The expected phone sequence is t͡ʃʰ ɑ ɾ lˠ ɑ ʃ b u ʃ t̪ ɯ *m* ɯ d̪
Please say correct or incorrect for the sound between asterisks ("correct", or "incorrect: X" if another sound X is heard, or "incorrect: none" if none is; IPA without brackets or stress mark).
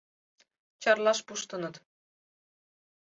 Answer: incorrect: n